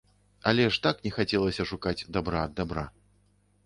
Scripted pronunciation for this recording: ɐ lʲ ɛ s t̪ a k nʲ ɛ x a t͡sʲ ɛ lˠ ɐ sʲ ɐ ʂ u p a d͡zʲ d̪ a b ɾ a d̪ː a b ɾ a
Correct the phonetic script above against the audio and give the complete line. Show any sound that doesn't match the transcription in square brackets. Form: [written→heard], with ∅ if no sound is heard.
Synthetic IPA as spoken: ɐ lʲ ɛ [s→ʂ] t̪ a k nʲ ɛ x a t͡sʲ ɛ lˠ ɐ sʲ ɐ ʂ u [p→k] a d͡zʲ d̪ a b ɾ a d̪ː a b ɾ a